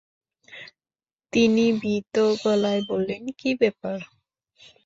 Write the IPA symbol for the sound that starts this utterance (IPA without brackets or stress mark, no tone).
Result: t̪